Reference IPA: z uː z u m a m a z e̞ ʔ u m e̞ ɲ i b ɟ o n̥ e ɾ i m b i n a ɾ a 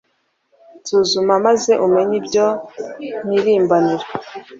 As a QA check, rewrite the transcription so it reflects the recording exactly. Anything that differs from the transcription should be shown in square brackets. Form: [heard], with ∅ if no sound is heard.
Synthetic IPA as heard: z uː z u m a m a z e̞ ʔ u m e̞ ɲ i b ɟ o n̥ [i] ɾ [iː] m b [a] n [i] ɾ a